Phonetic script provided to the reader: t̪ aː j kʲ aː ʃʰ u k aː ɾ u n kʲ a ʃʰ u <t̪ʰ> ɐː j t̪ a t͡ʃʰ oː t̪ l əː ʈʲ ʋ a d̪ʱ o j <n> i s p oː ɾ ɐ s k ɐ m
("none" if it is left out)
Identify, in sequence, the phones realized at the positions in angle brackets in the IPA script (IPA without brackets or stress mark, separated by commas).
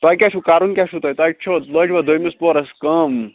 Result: t̪, m